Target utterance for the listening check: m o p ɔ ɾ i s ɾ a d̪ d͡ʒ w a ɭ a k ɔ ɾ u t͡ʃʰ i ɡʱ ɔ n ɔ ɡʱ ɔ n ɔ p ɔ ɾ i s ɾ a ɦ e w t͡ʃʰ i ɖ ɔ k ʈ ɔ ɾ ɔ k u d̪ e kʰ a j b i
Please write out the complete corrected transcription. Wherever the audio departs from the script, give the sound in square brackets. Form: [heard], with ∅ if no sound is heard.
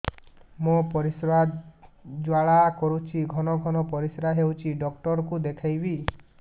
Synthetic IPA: m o p ɔ ɾ i s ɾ a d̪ d͡ʒ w a ɭ a k ɔ ɾ u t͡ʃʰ i ɡʱ ɔ n ɔ ɡʱ ɔ n ɔ p ɔ ɾ i s ɾ a ɦ e w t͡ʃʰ i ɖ ɔ k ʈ ɔ ɾ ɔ k u d̪ e kʰ a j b i